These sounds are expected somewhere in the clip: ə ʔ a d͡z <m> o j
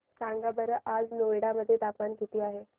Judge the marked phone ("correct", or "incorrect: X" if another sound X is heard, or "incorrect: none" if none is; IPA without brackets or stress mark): incorrect: n